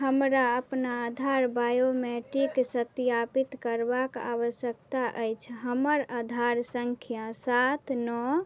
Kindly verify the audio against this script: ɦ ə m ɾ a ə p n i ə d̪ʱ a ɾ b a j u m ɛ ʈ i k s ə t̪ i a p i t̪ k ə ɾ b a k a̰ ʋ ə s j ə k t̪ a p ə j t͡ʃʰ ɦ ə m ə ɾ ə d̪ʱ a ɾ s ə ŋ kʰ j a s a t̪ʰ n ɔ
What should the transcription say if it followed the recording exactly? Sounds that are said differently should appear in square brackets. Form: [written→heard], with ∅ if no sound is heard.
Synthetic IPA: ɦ ə m ɾ a ə p n [i→a] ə d̪ʱ a ɾ b a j [u→o] m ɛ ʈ i k s ə t̪ [i→j] a p i t̪ k ə ɾ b a k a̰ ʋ ə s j ə k t̪ a [p→ʔ] ə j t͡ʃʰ ɦ ə m ə ɾ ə d̪ʱ a ɾ s ə ŋ kʰ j a s a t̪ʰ n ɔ